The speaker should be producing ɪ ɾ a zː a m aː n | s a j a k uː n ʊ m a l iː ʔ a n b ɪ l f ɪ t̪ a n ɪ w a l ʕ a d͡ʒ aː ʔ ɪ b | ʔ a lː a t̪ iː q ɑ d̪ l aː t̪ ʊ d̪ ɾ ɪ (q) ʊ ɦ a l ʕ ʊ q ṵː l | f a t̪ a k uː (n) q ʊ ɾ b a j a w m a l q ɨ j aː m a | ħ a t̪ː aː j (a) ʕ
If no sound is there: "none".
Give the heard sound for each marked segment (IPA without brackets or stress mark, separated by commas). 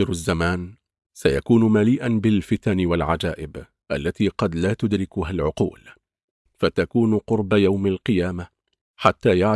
k, n, a